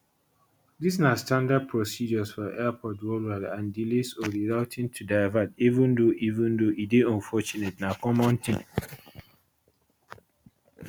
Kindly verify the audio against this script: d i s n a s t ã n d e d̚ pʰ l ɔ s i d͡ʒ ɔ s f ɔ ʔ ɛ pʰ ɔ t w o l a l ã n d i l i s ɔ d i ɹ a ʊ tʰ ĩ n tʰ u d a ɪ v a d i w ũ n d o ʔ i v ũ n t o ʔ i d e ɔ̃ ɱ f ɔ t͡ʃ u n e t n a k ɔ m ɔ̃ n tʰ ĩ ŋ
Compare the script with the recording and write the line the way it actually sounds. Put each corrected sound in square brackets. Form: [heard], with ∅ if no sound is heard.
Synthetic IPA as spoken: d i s n a s t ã n d [a] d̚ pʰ [ɹ] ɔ s i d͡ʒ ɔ s f ɔ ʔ ɛ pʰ ɔ t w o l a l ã n d i l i s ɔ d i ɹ a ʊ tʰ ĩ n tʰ u d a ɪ v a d i [v] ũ n d o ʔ i v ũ n [d] o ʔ i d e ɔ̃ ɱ f ɔ t͡ʃ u n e t n a k ɔ m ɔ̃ n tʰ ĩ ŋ